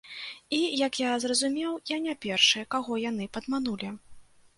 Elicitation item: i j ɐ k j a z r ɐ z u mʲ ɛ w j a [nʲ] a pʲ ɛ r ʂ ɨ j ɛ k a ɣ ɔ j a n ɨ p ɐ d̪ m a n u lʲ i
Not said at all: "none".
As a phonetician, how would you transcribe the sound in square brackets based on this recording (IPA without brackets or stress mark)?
nʲ